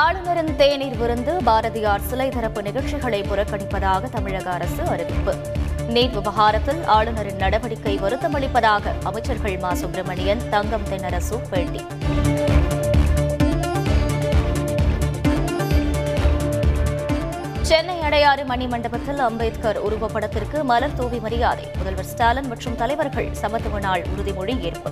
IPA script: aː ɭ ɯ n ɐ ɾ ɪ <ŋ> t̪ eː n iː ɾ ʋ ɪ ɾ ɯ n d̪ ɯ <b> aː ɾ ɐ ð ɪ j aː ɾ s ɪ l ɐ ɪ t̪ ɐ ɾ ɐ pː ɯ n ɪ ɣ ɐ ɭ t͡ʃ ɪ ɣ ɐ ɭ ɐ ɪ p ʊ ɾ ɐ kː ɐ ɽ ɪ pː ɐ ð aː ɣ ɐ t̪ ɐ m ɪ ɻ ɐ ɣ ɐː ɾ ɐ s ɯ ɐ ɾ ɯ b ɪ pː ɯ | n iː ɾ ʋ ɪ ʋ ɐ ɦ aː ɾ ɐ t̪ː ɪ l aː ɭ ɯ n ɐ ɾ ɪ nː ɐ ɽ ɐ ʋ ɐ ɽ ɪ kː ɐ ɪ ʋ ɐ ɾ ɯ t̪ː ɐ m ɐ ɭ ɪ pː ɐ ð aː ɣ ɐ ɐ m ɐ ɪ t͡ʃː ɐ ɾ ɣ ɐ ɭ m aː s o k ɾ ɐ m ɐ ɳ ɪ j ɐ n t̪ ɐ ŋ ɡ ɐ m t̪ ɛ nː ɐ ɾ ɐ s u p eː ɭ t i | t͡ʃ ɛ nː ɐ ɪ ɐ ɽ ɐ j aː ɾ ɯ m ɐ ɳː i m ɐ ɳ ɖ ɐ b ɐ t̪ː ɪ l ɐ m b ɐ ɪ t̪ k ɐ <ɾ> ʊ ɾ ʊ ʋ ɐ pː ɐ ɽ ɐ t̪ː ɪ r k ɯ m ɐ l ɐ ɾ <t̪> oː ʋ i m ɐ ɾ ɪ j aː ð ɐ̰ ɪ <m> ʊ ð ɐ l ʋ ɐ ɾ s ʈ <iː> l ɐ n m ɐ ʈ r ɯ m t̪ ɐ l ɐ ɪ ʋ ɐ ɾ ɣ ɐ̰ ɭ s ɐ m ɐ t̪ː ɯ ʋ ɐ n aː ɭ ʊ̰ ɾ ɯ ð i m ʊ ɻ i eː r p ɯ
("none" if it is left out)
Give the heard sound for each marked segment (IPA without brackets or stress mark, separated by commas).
n, b, ɾ, t̪, m, aː